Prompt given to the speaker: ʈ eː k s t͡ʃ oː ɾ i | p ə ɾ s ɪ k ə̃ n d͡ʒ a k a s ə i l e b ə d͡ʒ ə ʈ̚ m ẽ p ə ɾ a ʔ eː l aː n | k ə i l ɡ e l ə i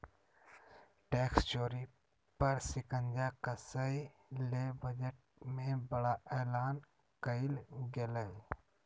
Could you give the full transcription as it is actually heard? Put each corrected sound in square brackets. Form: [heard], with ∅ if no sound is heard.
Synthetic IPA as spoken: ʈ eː k s t͡ʃ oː ɾ i | p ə ɾ s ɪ k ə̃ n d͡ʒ a k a s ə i l e b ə d͡ʒ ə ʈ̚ m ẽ [b] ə [ɽ] a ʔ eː l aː n | k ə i l ɡ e l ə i